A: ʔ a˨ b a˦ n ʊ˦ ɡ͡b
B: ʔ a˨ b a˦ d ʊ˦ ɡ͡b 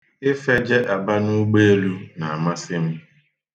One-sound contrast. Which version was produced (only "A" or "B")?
A